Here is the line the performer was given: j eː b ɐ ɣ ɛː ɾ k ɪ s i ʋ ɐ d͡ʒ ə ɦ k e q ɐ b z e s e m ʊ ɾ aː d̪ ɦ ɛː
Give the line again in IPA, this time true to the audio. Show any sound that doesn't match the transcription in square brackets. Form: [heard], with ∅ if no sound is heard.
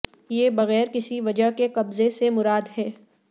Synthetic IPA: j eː b ɐ ɣ ɛː ɾ k ɪ s i ʋ ɐ d͡ʒ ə ɦ k e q ɐ b z e s e m ʊ ɾ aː d̪ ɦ ɛː

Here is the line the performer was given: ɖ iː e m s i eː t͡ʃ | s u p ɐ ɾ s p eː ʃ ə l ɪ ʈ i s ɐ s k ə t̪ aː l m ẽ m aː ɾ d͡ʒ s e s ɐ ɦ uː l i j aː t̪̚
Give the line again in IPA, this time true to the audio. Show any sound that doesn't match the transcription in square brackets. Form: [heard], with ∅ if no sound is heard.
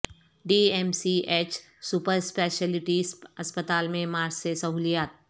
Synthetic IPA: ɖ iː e m s i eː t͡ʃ | s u p [ə] ɾ s p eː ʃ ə l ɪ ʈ i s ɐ s [p] ə t̪ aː l m ẽ m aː ɾ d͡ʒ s e s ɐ ɦ uː l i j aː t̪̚

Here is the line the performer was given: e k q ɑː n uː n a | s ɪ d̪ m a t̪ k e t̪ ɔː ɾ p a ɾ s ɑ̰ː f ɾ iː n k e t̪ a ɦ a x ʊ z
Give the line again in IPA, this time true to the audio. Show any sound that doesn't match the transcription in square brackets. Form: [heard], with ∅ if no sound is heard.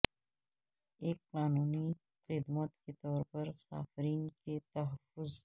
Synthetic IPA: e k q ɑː n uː n [i] | [x] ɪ d̪ m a t̪ k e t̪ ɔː ɾ p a ɾ s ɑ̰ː f ɾ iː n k e t̪ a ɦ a [f] ʊ z

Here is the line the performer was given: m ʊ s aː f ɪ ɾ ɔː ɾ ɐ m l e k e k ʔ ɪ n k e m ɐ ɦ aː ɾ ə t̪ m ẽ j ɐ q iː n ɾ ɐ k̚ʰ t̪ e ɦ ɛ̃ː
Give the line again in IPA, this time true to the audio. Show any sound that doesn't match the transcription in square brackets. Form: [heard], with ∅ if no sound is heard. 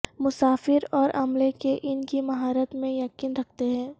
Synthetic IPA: m ʊ s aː f ɪ ɾ ɔː ɾ ɐ m l e k e [∅] ʔ ɪ n k [i] m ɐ ɦ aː ɾ ə t̪ m ẽ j ɐ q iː n ɾ ɐ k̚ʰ t̪ e ɦ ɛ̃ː

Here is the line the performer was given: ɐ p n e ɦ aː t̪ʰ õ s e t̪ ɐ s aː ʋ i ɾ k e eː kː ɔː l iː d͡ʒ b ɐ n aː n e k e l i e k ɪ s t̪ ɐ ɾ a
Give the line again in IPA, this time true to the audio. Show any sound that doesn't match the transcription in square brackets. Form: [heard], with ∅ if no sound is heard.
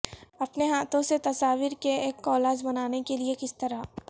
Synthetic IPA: ɐ p n e ɦ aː [t̪] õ s e t̪ ɐ s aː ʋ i ɾ k e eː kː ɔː l [aː] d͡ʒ b ɐ n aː n e k e l i e k ɪ s t̪ ɐ ɾ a

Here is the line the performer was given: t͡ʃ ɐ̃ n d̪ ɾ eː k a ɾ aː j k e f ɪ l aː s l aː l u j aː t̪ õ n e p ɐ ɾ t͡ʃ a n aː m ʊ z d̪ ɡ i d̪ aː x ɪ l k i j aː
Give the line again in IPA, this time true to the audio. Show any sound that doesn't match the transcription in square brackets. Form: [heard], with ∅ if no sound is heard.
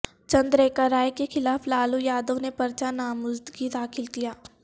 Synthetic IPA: t͡ʃ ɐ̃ n d̪ ɾ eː k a ɾ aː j k e [x] ɪ l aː [f] l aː l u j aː [d̪] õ n e p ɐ ɾ t͡ʃ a n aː m ʊ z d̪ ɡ i d̪ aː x ɪ l k i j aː

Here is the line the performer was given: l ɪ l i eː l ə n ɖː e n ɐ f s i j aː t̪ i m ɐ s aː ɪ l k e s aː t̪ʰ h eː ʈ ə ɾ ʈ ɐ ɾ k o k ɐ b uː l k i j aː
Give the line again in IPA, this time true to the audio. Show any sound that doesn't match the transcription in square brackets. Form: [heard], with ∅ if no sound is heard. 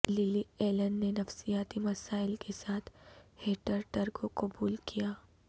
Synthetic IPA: l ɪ l i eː l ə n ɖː e n ɐ f s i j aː t̪ i m ɐ s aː ɪ l k e s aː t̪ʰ h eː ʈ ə ɾ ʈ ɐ ɾ k o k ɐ b uː l k i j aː

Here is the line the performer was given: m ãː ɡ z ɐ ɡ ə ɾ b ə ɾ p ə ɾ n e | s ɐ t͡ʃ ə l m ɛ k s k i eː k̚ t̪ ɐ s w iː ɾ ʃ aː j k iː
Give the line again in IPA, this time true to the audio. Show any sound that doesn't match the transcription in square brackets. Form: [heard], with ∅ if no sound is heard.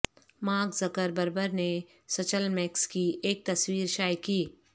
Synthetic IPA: m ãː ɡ z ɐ [k] ə ɾ b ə ɾ [b] ə ɾ n e | s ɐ t͡ʃ ə l m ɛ k s k i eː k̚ t̪ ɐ s w iː ɾ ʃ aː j k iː

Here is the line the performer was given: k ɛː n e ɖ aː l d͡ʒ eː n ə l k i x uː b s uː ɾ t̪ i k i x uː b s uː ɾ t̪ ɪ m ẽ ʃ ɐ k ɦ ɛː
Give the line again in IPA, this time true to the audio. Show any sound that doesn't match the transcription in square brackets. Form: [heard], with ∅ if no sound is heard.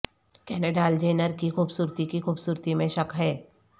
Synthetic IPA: k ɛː n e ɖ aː l d͡ʒ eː n ə [ɾ] k i x uː b s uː ɾ t̪ i k i x uː b s uː ɾ t̪ [i] m ẽ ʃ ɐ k ɦ ɛː

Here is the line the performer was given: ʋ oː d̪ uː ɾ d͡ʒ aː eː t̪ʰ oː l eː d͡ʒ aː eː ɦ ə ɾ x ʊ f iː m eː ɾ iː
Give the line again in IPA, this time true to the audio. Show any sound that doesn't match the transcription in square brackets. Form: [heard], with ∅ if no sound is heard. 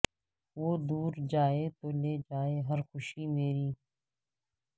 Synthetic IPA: ʋ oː d̪ uː ɾ d͡ʒ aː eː [t̪] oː l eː d͡ʒ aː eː ɦ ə ɾ x ʊ [ʃ] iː m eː ɾ iː

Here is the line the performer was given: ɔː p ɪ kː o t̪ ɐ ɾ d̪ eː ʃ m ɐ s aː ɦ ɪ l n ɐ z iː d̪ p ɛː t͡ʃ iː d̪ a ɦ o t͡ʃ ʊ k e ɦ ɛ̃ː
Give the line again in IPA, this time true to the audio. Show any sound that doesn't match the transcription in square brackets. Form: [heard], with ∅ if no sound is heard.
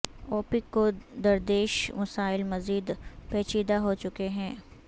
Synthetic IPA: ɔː p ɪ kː o [d̪] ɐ ɾ d̪ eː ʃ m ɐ s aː [∅] ɪ l [m] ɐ z iː d̪ p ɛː t͡ʃ iː d̪ a ɦ o t͡ʃ ʊ k e ɦ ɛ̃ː

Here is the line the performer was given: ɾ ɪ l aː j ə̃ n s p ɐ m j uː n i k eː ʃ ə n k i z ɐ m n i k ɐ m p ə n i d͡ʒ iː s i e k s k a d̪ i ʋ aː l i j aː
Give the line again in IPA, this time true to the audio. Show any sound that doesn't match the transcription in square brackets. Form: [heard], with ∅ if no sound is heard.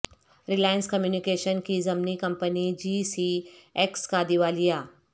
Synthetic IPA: ɾ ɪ l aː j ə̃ n s [k] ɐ m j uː n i k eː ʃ ə n k i z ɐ m n i k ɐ m p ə n i d͡ʒ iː s i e k s k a d̪ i ʋ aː l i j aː

